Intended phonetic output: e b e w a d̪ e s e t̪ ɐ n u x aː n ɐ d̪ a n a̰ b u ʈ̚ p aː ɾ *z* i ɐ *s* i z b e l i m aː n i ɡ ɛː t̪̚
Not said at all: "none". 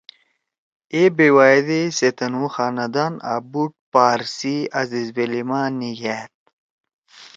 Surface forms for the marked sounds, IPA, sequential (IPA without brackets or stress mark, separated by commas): s, z